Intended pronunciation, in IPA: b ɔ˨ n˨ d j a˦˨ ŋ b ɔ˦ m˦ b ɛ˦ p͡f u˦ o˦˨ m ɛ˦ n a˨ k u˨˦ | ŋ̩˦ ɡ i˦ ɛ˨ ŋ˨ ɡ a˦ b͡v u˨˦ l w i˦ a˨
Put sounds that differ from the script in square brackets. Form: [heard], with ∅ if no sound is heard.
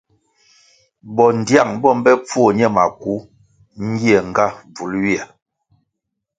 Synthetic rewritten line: b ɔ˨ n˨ d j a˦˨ ŋ b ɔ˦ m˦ b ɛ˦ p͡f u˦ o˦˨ [ɲ] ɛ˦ [m] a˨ k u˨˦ | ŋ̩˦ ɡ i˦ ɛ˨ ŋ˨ ɡ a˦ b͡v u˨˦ l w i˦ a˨